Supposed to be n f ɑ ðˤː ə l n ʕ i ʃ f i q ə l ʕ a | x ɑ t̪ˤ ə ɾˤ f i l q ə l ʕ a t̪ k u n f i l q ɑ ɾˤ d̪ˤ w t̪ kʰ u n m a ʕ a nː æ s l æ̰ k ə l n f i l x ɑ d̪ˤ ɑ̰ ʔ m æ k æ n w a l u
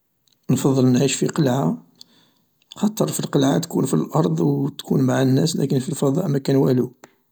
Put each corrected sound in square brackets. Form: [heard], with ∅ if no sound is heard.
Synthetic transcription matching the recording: n f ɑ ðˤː ə l n ʕ i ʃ f i q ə l ʕ a | x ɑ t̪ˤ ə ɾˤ f i l q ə l ʕ a t̪ k u n f i l [ʔ] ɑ ɾˤ d̪ˤ w t̪ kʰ u n m a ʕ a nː æ s l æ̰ k ə [∅] n f i l [f] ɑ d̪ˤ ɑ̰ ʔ m æ k æ n w [æ] l u